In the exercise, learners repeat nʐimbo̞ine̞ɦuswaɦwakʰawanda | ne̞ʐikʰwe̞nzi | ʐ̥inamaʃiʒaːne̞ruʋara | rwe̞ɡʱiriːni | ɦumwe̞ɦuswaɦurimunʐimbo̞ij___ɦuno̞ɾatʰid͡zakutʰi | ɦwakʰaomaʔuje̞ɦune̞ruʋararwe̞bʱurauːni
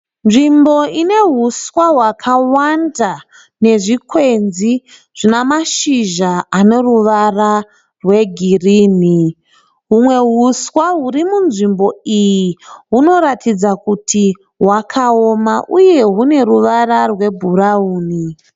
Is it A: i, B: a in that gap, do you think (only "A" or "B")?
A